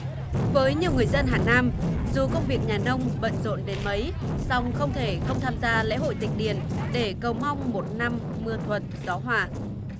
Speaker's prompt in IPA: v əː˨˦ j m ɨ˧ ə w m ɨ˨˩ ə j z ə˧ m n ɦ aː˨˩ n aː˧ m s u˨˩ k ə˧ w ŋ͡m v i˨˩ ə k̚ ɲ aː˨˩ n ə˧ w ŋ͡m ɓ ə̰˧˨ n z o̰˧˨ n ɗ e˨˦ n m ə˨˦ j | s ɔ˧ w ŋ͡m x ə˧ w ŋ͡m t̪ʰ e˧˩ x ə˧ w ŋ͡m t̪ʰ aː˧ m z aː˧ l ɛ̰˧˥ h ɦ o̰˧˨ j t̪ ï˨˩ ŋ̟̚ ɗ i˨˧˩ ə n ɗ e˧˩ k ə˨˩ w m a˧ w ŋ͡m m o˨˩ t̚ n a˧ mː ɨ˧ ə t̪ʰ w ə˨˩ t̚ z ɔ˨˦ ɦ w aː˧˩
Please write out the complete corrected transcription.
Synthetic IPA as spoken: v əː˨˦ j ɲ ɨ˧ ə w ŋ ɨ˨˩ ə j z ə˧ n ɦ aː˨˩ n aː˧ m z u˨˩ k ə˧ w ŋ͡m v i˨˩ ə k̚ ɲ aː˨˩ n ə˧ w ŋ͡m ɓ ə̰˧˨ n z o̰˧˨ n ɗ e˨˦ n m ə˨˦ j | s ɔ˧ w ŋ͡m x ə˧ w ŋ͡m t̪ʰ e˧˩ x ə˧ w ŋ͡m t̪ʰ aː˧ m z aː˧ l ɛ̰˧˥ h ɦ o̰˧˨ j t̪ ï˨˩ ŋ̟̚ ɗ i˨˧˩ ə n ɗ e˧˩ k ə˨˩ w m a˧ w ŋ͡m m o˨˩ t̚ n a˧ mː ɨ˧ ə t̪ʰ w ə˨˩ t̚ z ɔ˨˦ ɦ w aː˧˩

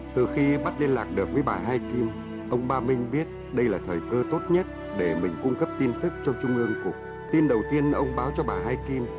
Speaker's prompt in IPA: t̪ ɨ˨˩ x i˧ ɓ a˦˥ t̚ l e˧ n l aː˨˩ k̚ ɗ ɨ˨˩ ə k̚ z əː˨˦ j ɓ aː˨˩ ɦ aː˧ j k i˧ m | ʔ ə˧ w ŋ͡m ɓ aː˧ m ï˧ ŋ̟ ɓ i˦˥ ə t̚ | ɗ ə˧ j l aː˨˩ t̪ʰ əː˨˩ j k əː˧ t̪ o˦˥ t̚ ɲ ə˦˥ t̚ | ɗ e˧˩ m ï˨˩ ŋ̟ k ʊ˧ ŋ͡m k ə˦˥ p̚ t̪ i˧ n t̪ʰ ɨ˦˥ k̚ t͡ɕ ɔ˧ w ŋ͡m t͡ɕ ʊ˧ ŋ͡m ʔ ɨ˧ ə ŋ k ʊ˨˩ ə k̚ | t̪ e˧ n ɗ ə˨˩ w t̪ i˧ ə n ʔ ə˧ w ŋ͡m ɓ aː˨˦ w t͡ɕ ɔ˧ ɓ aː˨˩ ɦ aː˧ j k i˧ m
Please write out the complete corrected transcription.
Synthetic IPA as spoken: t̪ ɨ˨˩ x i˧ ɓ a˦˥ t̚ l e˧ n l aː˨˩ k̚ ɗ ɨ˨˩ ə k̚ v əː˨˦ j ɓ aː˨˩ ɦ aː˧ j k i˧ m | ʔ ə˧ w ŋ͡m ɓ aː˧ m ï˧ ŋ̟ ɓ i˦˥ ə t̚ | ɗ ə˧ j l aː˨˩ t̪ʰ əː˨˩ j k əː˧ t̪ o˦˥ t̚ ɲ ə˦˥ t̚ | ɗ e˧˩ m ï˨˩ ŋ̟ k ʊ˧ ŋ͡m k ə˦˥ p̚ t̪ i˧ n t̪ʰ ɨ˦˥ k̚ t͡ɕ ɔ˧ w ŋ͡m t͡ɕ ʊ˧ ŋ͡m ʔ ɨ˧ ə ŋ k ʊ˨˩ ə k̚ | t̪ i˧ n ɗ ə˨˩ w t̪ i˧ ə n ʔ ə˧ w ŋ͡m ɓ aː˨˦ w t͡ɕ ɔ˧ ɓ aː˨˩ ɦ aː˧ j k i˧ m

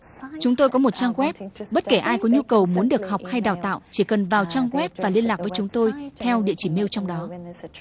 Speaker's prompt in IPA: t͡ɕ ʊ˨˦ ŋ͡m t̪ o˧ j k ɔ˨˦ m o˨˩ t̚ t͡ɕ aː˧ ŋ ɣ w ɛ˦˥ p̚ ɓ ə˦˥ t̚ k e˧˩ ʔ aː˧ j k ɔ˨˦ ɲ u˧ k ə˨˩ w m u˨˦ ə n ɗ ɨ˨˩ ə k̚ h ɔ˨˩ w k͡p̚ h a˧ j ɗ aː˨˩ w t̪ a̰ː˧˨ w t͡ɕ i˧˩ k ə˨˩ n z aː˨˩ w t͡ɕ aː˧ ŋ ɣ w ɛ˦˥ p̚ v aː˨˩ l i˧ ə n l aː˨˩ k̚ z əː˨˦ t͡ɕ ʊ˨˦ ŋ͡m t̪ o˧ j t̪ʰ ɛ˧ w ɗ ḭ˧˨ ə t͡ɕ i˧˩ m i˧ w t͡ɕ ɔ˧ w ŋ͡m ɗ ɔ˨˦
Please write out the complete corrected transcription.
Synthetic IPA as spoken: t͡ɕ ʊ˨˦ ŋ͡m t̪ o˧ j k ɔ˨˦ m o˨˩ t̚ t͡ɕ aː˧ ŋ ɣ w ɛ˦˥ p̚ ɓ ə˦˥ t̚ k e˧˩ ʔ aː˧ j k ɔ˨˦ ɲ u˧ k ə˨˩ w m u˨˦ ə n ɗ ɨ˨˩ ə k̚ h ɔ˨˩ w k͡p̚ h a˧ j ɗ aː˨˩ w t̪ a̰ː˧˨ w t͡ɕ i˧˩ k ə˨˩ n v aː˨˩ w t͡ɕ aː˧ ŋ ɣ w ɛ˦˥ p̚ v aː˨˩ l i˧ ə n l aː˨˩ k̚ v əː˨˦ t͡ɕ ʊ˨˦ ŋ͡m t̪ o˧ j t̪ʰ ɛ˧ w ɗ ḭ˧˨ ə t͡ɕ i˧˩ m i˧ w t͡ɕ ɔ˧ w ŋ͡m ɗ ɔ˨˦

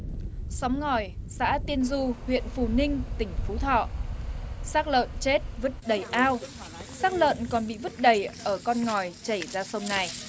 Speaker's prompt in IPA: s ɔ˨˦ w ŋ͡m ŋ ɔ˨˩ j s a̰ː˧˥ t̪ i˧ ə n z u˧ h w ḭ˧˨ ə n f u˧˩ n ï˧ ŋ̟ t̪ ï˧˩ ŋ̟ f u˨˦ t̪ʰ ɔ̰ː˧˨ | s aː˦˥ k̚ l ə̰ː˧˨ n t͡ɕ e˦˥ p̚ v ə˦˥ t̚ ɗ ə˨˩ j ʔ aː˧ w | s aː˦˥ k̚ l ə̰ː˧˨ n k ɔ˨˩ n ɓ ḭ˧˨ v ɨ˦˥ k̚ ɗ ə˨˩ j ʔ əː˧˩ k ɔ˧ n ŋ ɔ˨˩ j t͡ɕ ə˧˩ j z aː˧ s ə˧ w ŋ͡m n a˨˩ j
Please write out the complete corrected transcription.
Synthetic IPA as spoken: s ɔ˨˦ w ŋ͡m ŋ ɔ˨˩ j s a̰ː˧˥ t̪ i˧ ə n z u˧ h w ḭ˧˨ ə n f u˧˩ n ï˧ ŋ̟ t̪ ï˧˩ ŋ̟ f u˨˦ t̪ʰ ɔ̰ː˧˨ | s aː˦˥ k̚ l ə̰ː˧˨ n t͡ɕ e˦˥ t̚ v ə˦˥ t̚ ɗ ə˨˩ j ʔ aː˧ w | s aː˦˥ k̚ l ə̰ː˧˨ n k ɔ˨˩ n ɓ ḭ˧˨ v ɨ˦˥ t̚ ɗ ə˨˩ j ʔ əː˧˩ k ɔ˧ n ŋ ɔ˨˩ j t͡ɕ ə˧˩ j z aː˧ s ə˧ w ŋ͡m n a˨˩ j

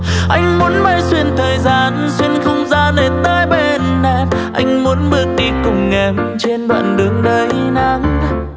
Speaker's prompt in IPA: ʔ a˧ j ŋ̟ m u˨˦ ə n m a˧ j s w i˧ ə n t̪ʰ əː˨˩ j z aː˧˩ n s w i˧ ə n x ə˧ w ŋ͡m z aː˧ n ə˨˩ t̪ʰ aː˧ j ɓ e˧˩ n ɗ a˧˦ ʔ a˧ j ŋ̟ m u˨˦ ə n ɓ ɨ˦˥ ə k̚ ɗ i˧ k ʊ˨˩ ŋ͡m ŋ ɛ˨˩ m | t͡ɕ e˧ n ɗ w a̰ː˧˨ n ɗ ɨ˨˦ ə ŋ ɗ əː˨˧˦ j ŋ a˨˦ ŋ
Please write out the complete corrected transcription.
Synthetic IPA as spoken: ʔ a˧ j ŋ̟ m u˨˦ ə n m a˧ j s w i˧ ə n t̪ʰ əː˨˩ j z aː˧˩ n s w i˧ ə n x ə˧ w ŋ͡m z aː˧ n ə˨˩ t̪ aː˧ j ɓ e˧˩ n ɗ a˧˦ ʔ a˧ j ŋ̟ m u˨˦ ə n ɓ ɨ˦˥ ə k̚ ɗ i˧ k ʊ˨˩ ŋ͡m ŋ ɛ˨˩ m | t͡ɕ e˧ n ɗ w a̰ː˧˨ n ɗ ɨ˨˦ ə ŋ ɗ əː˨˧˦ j n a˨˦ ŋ

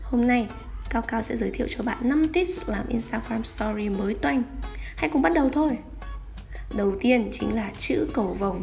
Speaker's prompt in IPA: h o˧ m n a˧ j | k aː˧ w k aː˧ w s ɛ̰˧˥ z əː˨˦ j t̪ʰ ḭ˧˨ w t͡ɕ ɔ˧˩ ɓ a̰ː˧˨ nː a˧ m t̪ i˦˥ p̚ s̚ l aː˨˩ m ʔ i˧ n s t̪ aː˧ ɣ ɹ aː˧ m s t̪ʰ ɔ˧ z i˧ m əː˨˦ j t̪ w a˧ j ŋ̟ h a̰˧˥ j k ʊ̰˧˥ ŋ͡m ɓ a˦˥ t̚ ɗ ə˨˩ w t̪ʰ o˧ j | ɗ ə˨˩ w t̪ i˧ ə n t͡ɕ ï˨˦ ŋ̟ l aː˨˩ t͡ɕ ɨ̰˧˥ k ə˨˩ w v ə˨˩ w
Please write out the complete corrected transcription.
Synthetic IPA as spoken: h o˧ m n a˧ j | k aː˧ w k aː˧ w s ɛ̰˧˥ z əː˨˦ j t̪ʰ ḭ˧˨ w t͡ɕ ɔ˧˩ ɓ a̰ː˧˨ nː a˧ m t̪ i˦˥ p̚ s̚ l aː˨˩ m ʔ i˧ n s t̪ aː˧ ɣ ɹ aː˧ m s t̪ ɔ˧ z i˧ m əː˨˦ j t̪ w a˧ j ŋ̟ h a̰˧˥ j k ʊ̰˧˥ ŋ͡m ɓ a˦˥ t̚ ɗ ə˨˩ w t̪ʰ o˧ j | ɗ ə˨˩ w t̪ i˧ ə n t͡ɕ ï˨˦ ŋ̟ l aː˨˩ t͡ɕ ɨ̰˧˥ k ə˨˩ w v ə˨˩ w

